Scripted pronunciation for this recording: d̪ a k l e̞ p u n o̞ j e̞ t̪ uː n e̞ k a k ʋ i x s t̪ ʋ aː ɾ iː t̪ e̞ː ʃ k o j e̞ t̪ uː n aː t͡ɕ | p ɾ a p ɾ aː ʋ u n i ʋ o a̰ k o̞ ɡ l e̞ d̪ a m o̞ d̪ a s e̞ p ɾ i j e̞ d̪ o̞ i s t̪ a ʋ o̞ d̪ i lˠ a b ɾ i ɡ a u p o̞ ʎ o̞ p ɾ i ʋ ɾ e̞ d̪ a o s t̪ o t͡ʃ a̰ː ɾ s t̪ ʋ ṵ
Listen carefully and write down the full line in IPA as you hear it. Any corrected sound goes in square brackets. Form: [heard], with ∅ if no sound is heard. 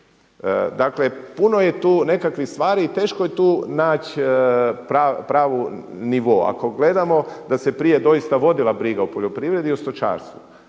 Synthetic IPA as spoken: d̪ a k l e̞ p u n o̞ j e̞ t̪ uː n e̞ k a k ʋ i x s t̪ ʋ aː ɾ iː t̪ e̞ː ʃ k o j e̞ t̪ uː n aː t͡ɕ | p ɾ a p ɾ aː ʋ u n i ʋ o a̰ k o̞ ɡ l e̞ d̪ a m o̞ d̪ a s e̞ p ɾ i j e̞ d̪ o̞ i s t̪ a ʋ o̞ d̪ i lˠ a b ɾ i ɡ a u p o̞ ʎ o̞ p ɾ i ʋ ɾ e̞ d̪ [i] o s t̪ o t͡ʃ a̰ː ɾ s t̪ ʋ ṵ